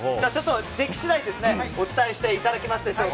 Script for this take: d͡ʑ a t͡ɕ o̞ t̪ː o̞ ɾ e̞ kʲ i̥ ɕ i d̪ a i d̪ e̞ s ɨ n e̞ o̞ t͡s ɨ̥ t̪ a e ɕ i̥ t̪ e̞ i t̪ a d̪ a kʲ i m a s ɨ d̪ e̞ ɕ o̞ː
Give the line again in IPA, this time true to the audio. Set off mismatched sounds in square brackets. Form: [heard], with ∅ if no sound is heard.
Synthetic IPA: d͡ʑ a t͡ɕ o̞ t̪ː o̞ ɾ e̞ kʲ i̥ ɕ i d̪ a i d̪ e̞ s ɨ n e̞ o̞ t͡s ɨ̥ t̪ a e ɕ i̥ t̪ e̞ i t̪ a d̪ a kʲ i m a s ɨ d̪ e̞ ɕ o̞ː